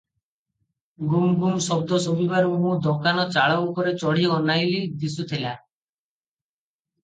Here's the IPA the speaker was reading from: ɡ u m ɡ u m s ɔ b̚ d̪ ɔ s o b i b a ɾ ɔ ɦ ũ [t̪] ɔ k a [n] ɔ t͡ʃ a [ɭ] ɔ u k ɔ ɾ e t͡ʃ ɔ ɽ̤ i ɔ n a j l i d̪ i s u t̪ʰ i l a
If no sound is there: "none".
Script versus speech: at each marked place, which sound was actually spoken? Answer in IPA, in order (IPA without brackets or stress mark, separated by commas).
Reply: d̪, n, ɭ